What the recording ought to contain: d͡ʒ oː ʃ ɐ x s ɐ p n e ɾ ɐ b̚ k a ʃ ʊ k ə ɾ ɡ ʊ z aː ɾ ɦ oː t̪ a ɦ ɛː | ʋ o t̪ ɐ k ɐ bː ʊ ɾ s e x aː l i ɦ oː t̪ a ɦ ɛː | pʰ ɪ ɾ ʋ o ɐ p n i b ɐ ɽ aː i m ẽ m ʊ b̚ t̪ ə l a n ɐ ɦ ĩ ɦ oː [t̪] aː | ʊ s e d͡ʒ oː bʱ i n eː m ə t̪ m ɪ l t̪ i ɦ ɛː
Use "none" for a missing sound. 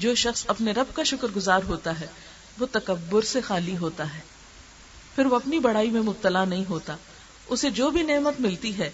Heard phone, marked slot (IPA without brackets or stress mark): t̪